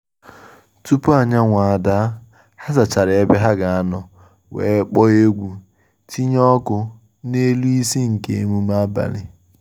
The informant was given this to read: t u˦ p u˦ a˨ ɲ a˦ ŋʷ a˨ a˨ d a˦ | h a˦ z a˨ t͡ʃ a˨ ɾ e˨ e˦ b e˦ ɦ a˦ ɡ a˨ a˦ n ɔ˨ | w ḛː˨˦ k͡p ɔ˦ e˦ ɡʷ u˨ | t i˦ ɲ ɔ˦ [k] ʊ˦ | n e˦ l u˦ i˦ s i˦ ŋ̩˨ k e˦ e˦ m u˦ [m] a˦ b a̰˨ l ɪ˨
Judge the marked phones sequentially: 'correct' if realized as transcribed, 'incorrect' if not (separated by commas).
correct, correct